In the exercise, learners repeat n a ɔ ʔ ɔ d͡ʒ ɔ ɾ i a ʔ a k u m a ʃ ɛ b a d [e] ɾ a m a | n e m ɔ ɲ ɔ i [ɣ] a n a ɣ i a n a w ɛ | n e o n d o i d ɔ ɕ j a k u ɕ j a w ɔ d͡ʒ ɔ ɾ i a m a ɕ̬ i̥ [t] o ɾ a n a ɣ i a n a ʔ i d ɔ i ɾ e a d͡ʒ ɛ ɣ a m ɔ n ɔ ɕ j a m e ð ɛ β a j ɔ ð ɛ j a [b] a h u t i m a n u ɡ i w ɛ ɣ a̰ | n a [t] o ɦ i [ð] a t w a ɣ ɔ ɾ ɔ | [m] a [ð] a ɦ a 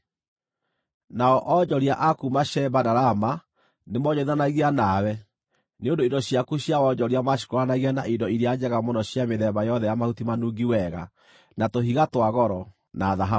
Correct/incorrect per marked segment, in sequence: incorrect: a, incorrect: ð, incorrect: k, incorrect: m, correct, incorrect: ɣ, incorrect: n, correct

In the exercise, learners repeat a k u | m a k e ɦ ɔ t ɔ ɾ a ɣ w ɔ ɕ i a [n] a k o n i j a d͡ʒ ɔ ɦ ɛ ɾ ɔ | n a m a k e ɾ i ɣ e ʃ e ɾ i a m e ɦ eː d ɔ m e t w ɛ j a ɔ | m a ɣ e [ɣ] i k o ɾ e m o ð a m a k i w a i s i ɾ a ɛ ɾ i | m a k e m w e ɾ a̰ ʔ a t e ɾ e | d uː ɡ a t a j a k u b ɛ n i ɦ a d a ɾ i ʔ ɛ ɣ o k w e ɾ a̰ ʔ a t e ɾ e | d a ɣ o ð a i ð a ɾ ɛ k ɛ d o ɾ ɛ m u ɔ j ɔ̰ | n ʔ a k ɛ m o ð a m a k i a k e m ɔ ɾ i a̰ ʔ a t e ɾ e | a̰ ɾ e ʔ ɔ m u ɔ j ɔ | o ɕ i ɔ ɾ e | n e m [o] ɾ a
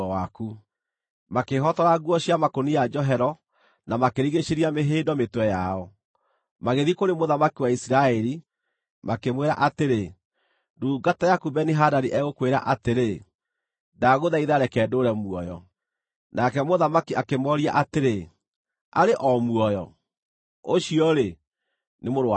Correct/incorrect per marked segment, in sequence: incorrect: m, incorrect: ð, correct

